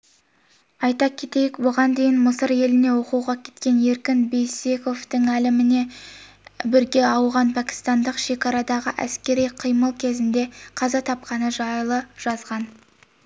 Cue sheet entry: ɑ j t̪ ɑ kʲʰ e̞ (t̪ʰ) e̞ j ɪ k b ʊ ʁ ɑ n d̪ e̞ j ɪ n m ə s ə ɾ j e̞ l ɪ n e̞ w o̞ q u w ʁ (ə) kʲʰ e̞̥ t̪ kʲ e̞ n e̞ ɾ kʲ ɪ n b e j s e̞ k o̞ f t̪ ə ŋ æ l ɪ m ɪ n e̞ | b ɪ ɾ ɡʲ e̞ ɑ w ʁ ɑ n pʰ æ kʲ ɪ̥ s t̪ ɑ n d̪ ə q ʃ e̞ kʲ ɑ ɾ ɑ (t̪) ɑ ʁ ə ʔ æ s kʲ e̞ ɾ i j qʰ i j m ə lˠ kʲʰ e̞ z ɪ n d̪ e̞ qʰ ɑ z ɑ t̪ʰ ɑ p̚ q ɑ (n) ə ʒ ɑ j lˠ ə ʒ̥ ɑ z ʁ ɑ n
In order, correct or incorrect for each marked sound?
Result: incorrect: t̪, incorrect: ɑ, incorrect: d̪, correct

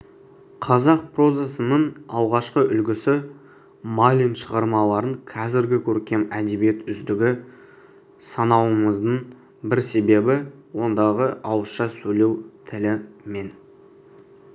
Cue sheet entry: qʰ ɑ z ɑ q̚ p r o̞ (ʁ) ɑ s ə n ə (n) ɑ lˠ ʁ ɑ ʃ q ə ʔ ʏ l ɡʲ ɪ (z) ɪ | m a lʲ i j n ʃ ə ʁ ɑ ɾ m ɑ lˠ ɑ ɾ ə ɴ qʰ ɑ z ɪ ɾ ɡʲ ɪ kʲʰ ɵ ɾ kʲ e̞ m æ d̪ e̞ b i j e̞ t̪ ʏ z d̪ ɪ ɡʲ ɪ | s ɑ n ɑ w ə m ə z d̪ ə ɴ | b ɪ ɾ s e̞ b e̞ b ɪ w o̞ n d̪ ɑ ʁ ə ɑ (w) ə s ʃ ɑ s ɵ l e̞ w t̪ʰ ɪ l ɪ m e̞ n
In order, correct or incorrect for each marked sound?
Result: incorrect: z, incorrect: ɴ, incorrect: s, correct

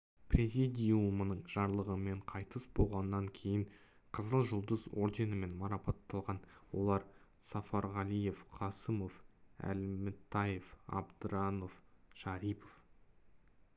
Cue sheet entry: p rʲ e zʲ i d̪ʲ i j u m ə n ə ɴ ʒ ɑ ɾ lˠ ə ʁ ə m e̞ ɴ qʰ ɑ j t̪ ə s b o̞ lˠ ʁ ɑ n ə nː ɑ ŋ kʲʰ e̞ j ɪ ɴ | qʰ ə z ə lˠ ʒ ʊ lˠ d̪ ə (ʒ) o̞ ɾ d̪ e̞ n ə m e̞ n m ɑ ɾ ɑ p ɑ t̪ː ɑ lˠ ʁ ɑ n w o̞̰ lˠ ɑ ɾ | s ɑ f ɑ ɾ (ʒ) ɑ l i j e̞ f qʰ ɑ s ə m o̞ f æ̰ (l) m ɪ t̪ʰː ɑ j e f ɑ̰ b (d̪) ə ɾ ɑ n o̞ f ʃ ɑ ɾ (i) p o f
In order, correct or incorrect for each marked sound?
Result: incorrect: z, incorrect: ʁ, correct, correct, correct

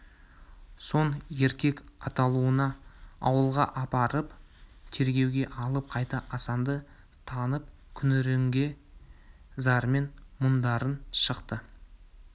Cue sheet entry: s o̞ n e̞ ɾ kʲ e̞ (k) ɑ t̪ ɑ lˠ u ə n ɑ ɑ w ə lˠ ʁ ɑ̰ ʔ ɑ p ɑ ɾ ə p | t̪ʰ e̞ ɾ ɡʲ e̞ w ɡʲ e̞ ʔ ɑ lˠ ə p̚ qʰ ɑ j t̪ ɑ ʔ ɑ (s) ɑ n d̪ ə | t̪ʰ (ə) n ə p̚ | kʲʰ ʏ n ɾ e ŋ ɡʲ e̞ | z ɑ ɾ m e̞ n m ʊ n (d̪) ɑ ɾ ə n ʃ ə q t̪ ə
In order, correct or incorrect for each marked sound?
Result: correct, correct, incorrect: ɑ, correct

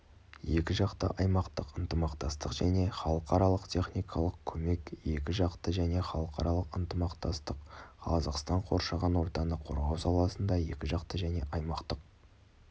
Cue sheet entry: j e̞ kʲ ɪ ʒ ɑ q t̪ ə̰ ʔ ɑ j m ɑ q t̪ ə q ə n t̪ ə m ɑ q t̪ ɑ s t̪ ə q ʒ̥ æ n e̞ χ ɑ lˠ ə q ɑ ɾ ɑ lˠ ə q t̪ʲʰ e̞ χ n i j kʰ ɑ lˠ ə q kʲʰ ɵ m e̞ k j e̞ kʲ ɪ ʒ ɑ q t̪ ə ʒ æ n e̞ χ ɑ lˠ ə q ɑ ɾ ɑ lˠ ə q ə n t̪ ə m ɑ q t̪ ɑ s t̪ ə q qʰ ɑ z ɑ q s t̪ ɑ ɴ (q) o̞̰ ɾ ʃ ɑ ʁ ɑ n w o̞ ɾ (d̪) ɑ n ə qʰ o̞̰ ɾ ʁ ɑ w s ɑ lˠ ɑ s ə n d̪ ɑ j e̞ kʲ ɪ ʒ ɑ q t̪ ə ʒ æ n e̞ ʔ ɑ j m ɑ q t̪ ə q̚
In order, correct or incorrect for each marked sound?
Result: incorrect: qʰ, incorrect: t̪

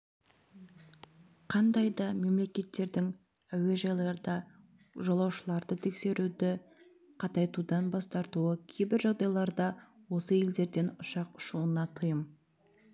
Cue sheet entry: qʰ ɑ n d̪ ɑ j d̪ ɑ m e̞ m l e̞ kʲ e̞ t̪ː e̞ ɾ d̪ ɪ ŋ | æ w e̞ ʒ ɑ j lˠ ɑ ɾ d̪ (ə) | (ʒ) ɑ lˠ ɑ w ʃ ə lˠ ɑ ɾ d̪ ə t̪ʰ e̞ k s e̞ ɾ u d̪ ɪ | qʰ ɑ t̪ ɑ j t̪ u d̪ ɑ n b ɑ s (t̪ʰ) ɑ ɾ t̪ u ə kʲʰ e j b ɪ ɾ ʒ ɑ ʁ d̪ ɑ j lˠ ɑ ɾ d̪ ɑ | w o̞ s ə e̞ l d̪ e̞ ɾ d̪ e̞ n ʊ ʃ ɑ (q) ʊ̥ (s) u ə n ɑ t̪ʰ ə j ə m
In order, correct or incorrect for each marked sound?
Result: incorrect: ɑ, correct, incorrect: t̪, correct, incorrect: ʃ

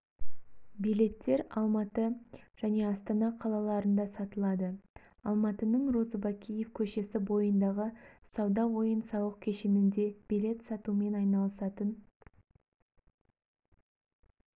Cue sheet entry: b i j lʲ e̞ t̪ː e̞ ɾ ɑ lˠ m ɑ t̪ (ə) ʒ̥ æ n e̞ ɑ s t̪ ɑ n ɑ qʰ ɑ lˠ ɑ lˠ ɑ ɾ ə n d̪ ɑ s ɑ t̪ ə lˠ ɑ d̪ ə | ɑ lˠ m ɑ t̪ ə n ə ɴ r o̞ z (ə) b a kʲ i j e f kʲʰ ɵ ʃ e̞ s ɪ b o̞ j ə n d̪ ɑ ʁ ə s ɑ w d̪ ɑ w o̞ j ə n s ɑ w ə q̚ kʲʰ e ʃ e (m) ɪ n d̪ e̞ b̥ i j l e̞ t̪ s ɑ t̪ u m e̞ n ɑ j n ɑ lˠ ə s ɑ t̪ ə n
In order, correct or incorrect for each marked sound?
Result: correct, correct, incorrect: n

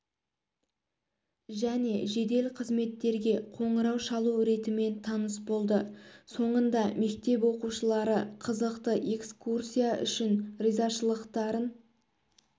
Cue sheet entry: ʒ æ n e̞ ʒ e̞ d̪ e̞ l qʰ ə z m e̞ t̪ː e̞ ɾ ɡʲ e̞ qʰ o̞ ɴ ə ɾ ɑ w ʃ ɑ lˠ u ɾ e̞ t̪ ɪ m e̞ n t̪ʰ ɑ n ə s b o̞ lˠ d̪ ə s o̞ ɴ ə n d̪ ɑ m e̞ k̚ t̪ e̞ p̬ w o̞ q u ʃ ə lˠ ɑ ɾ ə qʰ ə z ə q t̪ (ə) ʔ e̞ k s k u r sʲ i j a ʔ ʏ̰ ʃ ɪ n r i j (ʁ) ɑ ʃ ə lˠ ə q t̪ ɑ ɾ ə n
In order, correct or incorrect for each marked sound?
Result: correct, incorrect: z

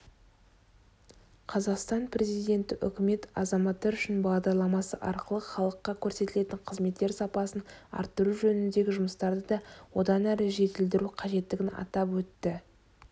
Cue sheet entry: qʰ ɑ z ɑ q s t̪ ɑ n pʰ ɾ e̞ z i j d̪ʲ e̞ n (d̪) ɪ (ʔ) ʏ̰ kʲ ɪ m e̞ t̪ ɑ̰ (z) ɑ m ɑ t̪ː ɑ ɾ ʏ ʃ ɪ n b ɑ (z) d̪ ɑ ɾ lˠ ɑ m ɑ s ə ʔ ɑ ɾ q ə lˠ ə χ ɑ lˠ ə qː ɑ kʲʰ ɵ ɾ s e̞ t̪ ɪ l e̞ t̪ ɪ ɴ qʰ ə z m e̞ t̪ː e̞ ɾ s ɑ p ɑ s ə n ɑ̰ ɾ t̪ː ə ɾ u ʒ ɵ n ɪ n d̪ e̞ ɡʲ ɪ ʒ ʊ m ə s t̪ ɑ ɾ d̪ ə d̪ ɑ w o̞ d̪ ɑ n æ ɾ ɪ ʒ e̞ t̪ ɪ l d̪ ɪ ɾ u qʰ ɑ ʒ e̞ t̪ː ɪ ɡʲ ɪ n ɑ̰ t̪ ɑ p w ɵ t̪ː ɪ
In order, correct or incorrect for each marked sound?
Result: incorrect: t̪, correct, correct, incorrect: ʁ

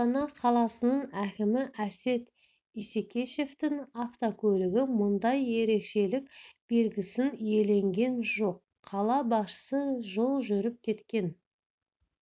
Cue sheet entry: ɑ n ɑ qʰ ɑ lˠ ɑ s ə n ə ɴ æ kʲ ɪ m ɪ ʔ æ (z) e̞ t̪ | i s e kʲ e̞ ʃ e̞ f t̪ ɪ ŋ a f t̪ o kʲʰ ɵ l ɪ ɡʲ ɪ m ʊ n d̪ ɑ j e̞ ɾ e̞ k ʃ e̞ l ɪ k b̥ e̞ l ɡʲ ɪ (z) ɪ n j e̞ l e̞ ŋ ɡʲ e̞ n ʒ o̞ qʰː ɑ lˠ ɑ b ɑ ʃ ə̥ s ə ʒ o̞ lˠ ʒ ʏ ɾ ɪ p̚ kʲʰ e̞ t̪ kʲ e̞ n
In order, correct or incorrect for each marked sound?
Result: incorrect: s, incorrect: s

